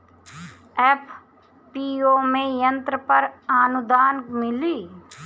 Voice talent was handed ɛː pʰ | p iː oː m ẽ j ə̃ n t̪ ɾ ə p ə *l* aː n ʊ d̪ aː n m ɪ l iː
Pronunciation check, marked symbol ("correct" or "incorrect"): incorrect